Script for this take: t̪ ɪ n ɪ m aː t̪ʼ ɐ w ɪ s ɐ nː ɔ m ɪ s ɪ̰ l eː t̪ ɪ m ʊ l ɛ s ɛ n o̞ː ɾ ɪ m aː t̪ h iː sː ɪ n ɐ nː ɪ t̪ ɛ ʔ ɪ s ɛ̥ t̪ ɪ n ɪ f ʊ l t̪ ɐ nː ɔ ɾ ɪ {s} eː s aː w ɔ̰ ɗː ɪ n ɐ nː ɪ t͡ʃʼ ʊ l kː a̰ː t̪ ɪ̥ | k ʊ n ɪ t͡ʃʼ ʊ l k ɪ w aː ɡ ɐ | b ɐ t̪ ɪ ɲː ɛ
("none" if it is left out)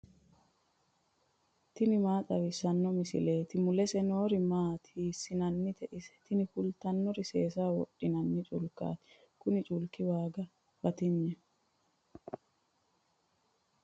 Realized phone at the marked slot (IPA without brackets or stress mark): s